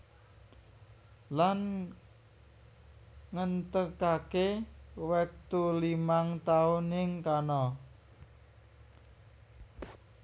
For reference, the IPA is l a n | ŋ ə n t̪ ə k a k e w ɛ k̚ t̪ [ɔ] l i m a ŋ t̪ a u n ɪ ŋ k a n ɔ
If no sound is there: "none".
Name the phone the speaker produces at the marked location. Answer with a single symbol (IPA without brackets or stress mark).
u